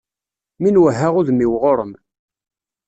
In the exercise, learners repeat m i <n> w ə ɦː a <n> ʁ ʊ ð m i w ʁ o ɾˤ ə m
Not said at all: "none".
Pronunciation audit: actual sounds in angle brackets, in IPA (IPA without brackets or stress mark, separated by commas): n, none